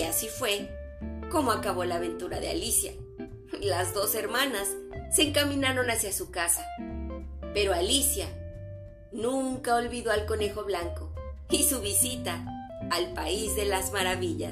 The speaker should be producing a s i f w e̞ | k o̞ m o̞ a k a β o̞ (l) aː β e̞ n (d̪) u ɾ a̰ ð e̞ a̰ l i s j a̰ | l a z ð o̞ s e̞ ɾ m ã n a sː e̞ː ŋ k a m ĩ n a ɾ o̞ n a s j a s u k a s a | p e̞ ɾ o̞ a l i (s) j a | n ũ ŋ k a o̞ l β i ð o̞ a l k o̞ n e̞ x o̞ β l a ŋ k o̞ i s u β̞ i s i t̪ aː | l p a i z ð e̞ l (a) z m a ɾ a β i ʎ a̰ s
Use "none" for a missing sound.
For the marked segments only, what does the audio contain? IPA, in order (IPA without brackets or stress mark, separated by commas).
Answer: l, t̪, s, a